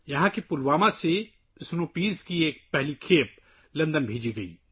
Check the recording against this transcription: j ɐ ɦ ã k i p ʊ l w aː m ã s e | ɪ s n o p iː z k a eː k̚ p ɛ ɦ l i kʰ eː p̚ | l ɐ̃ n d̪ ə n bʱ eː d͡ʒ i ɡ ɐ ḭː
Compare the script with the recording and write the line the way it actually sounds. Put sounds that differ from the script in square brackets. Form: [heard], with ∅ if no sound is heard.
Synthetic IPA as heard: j ɐ ɦ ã k i p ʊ l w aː m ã s e | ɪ s n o p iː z k [i] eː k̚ p ɛ ɦ l i kʰ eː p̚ | l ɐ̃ n d̪ ə n bʱ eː d͡ʒ i ɡ ɐ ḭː